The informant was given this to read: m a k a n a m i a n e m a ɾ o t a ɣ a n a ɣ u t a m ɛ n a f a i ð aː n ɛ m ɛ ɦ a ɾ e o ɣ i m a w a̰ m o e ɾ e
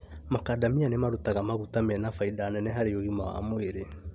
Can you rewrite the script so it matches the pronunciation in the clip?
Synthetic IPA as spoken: m a k a d a m i a n e m a ɾ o t a ɣ a m a ɣ u t a m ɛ n a f a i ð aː n ɛ n ɛ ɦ a ɾ e o ɣ i m a w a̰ m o e ɾ e